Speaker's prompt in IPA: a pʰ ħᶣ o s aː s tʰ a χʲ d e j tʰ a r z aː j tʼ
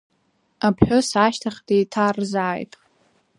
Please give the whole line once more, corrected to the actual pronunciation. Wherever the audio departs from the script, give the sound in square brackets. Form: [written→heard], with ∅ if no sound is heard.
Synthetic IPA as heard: a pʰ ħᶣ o s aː [s→ʃ] tʰ a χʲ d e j tʰ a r z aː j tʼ

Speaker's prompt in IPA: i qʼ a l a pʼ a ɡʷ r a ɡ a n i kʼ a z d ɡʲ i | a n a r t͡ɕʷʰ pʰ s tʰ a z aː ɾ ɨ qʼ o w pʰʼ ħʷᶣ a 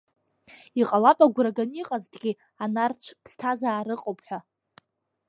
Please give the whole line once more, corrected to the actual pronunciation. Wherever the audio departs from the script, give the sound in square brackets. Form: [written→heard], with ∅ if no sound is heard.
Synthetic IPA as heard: i qʼ a l a pʼ a ɡʷ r a ɡ a n i [kʼ→qʼ] a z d ɡʲ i | a n a r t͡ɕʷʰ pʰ s tʰ a z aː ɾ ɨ qʼ o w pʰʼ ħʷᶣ a

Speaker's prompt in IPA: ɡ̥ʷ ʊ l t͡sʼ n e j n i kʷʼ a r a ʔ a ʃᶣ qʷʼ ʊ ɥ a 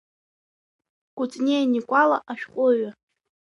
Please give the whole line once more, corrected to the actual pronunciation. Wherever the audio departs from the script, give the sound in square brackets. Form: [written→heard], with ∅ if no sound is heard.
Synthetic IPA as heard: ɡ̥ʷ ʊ [l→∅] t͡sʼ n e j n i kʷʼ a [r→l] a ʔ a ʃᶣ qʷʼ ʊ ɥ a

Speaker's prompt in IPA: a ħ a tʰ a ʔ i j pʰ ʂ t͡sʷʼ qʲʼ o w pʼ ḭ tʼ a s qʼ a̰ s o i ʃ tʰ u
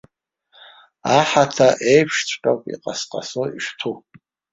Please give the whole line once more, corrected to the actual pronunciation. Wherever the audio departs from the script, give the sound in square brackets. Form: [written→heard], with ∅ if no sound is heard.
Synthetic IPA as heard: a ħ a tʰ a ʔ [i→e] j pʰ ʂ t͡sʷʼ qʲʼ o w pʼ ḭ [tʼ→qʼ] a s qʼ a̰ s o i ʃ tʰ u

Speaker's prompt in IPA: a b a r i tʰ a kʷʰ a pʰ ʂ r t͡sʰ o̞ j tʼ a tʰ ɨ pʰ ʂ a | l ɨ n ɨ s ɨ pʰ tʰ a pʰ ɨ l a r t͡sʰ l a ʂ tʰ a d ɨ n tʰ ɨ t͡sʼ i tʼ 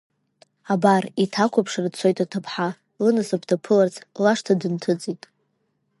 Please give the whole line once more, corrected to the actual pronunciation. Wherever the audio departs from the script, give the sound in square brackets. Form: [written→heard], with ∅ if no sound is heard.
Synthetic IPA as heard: a b a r i tʰ a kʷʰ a pʰ ʂ r t͡sʰ o̞ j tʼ a tʰ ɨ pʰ [ʂ→ħ] a | l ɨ n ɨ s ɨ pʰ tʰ a pʰ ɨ l a r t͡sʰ l a ʂ tʰ a d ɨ n tʰ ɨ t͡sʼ i tʼ

